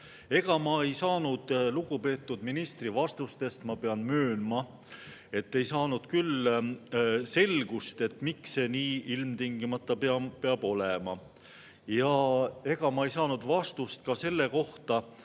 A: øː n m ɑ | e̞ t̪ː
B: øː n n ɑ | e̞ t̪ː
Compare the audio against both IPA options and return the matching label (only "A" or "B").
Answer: A